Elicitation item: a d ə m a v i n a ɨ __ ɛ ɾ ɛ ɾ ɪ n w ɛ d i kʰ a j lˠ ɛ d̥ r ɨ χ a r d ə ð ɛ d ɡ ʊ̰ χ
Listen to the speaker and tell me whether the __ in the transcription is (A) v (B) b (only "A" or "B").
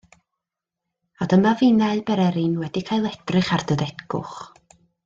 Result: B